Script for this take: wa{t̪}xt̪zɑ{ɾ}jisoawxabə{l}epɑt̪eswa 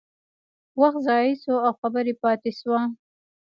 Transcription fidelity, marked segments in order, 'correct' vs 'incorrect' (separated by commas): incorrect, incorrect, incorrect